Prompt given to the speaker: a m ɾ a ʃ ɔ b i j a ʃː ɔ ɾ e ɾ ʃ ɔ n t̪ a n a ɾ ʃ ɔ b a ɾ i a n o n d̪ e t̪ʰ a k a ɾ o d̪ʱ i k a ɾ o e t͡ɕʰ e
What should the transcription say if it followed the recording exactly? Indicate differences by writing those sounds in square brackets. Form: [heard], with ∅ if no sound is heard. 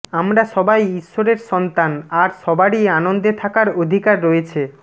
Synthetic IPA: a m ɾ a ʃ ɔ b [a] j [i] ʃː [o] ɾ e ɾ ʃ ɔ n t̪ a n a ɾ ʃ ɔ b a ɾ i a n o n d̪ e t̪ʰ a k a ɾ o d̪ʱ i k a [ɾː] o e t͡ɕʰ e

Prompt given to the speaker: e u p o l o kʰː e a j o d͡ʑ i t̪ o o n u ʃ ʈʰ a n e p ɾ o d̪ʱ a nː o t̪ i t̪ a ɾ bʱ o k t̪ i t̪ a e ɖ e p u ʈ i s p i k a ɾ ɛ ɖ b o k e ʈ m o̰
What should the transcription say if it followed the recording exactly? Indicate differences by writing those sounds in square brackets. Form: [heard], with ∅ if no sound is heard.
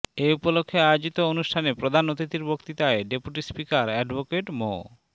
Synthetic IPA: e u p o l o kʰː e a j o d͡ʑ i t̪ o o n u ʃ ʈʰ a n e p ɾ o d̪ʱ a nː o t̪ i t̪ [i] ɾ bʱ o k t̪ i t̪ a e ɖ e p u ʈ i s p i k a ɾ ɛ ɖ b o k e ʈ m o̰

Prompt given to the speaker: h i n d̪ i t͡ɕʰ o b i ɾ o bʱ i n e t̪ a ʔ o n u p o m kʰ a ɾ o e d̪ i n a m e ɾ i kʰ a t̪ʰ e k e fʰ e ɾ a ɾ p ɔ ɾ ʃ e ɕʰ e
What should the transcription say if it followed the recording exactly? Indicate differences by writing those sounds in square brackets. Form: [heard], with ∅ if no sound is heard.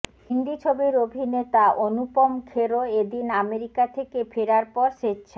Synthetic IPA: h i n d̪ i t͡ɕʰ o b i ɾ o bʱ i n e t̪ a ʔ o n u p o m kʰ [e] ɾ o e d̪ i n a m e ɾ i [k] a t̪ʰ e k e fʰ e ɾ a ɾ p ɔ ɾ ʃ e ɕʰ e

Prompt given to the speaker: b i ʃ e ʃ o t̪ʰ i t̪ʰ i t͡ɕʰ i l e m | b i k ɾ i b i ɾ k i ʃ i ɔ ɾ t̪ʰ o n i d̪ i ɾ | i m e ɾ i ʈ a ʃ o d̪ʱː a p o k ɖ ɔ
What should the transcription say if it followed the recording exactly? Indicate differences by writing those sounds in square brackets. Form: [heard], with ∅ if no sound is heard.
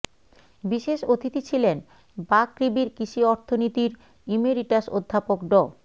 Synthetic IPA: b i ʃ e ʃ o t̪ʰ i [t̪] i t͡ɕʰ i l e [n] | b [a] k ɾ i b i ɾ k i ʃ i ɔ ɾ t̪ʰ o n i [t̪] i ɾ | i m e ɾ i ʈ a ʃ o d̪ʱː a p o k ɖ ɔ

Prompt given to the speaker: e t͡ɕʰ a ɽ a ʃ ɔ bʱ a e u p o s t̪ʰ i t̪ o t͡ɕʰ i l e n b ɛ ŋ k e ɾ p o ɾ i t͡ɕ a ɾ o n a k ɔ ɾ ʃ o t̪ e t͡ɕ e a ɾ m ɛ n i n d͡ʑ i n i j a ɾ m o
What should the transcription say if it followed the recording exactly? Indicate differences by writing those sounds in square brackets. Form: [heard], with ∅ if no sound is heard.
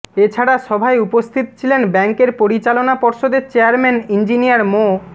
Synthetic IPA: e t͡ɕʰ a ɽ a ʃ ɔ bʱ a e u p o s t̪ʰ i t̪ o t͡ɕʰ i l e n b ɛ ŋ k e ɾ p o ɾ i t͡ɕ a [l] o n a [p] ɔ ɾ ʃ o [d̪] e t͡ɕ e a ɾ m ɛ n i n d͡ʑ i n i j a ɾ m o

